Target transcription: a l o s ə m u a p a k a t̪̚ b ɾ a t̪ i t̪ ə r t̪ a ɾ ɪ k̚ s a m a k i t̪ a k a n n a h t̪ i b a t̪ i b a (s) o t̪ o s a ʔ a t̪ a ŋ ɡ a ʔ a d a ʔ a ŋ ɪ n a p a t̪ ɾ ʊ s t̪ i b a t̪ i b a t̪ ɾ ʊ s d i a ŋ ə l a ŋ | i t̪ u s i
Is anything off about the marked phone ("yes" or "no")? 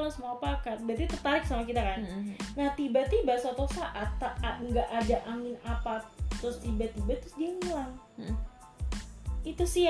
no